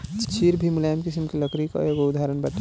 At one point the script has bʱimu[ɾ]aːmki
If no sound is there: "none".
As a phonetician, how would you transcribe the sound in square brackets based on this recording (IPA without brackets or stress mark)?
l